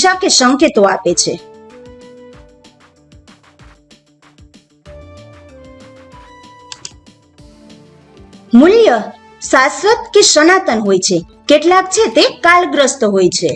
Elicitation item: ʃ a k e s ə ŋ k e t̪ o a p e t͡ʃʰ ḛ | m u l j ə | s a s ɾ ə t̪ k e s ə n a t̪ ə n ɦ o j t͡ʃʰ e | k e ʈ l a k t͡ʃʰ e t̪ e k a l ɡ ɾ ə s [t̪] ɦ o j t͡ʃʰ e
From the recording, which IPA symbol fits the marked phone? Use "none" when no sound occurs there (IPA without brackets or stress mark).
t̪